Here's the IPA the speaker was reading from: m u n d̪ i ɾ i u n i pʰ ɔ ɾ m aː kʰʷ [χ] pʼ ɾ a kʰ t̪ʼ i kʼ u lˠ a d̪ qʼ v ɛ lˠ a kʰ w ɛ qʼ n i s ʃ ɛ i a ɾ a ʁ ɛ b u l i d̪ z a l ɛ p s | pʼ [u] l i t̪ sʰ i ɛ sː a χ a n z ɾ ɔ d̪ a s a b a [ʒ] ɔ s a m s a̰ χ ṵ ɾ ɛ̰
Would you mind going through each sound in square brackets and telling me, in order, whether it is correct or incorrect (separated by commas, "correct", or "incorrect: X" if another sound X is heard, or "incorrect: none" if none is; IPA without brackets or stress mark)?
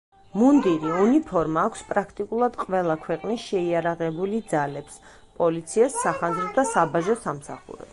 incorrect: s, incorrect: ɔ, correct